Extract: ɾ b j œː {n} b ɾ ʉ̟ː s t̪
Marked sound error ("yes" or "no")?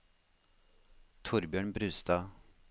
yes